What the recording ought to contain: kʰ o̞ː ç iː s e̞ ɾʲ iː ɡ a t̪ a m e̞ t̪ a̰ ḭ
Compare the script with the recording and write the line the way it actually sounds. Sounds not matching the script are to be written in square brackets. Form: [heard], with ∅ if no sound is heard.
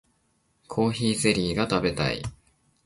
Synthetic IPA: kʰ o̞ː ç iː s e̞ ɾʲ iː ɡ a t̪ a [b] e̞ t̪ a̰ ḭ